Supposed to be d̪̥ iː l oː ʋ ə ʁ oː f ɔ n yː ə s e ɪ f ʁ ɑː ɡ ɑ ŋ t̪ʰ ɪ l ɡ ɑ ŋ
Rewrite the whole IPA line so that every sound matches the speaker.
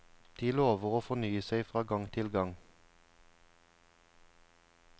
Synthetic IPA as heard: d̪̥ iː l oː ʋ ə ʁ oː f ɔ n yː ə s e ɪ f ʁ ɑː ɡ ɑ ŋ t̪ʰ ɪ l ɡ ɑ ŋ